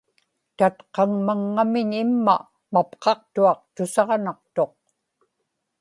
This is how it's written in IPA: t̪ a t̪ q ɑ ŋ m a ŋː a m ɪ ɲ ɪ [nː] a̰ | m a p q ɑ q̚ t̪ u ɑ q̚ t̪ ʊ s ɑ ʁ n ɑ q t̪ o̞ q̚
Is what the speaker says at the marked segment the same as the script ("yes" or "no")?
no